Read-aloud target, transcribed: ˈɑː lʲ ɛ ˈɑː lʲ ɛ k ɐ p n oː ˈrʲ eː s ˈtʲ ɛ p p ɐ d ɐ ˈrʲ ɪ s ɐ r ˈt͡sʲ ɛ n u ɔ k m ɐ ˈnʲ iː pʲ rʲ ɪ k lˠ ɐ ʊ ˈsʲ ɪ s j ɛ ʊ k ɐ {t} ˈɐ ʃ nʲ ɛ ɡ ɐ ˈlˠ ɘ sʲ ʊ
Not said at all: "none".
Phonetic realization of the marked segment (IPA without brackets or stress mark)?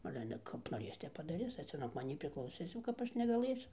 p